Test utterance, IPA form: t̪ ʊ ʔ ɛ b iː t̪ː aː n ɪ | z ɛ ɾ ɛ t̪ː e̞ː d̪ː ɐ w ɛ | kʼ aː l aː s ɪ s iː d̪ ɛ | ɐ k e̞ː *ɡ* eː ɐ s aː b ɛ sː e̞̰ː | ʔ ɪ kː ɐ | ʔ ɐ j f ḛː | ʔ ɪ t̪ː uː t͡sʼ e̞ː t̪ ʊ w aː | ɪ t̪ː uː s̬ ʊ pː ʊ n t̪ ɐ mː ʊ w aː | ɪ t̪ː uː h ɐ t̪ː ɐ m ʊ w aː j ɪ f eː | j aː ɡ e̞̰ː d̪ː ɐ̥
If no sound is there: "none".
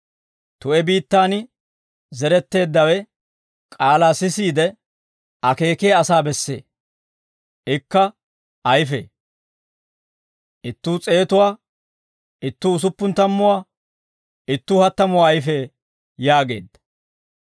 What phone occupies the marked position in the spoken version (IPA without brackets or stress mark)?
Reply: k